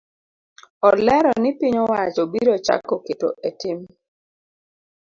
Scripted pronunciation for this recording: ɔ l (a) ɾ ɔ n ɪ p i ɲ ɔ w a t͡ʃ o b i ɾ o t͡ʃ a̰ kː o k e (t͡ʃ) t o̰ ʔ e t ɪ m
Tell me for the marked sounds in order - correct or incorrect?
incorrect: ɛ, incorrect: none

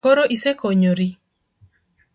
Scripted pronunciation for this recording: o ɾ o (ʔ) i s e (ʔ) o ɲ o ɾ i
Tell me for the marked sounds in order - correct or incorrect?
correct, incorrect: k

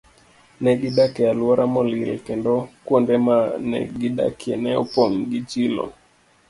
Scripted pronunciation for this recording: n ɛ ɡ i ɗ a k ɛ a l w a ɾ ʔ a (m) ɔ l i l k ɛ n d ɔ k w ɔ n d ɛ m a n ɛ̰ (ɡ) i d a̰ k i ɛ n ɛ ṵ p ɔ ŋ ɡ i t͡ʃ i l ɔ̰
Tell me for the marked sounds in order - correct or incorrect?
correct, correct

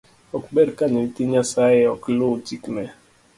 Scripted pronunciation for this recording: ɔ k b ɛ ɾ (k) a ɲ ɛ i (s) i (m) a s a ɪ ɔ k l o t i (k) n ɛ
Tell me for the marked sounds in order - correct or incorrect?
correct, incorrect: t, incorrect: ɲ, correct

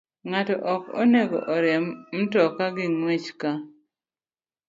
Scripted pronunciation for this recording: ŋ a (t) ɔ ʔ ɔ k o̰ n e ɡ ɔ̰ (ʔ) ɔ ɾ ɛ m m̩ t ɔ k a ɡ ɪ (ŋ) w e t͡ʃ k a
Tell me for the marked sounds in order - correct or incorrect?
correct, correct, correct

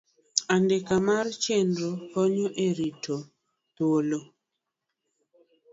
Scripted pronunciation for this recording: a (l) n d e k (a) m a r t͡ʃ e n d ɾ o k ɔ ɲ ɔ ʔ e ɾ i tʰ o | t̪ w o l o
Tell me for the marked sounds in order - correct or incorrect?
incorrect: none, correct

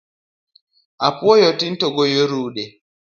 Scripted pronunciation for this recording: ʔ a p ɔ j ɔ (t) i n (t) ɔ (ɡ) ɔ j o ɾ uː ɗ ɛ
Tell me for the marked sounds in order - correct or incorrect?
correct, correct, correct

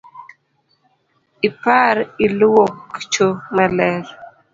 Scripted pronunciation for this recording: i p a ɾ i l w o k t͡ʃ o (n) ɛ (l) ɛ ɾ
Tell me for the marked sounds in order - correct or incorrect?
incorrect: m, correct

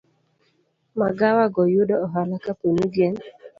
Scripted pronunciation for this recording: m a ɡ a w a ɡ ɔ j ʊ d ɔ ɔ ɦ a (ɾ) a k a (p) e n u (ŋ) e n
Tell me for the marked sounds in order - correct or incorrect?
incorrect: l, correct, incorrect: ɡ

